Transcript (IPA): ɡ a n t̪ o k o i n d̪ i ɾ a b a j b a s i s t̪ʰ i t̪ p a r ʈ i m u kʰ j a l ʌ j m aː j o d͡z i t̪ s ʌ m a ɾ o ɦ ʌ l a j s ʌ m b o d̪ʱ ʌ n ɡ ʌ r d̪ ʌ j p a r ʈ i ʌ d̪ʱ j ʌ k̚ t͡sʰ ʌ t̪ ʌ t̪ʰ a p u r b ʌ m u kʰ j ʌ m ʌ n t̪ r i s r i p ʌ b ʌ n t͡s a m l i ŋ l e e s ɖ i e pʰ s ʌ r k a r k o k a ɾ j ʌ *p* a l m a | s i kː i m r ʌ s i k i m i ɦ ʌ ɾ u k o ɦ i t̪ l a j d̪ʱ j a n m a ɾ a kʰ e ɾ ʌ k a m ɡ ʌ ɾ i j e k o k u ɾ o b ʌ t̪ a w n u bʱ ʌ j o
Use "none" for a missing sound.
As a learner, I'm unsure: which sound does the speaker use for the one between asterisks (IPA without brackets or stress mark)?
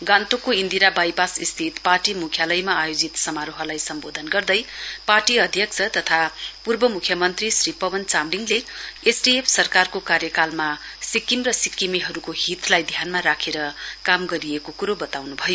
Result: k